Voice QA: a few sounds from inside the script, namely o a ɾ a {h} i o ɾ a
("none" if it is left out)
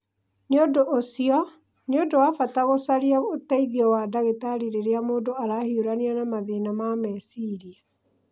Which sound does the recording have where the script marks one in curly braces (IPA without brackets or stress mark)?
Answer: h